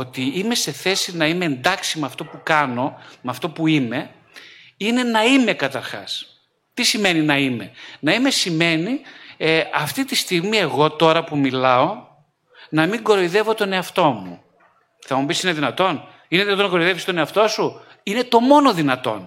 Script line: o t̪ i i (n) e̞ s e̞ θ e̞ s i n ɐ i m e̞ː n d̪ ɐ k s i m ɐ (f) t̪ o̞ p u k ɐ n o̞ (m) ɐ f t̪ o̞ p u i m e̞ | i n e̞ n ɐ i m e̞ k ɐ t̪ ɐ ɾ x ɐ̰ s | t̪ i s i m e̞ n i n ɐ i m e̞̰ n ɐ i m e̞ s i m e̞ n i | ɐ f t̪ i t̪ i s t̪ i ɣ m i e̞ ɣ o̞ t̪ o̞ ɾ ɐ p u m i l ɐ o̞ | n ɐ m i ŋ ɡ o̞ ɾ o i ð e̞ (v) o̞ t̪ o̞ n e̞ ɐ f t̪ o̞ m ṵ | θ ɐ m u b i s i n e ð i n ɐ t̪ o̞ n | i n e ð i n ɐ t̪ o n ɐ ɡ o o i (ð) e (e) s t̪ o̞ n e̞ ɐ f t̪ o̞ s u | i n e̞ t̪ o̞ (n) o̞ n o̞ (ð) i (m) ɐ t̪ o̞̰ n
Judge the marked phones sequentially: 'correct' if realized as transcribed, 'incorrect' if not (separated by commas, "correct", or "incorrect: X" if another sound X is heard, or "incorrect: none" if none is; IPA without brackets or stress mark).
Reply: incorrect: m, correct, correct, correct, correct, incorrect: i, incorrect: m, correct, incorrect: n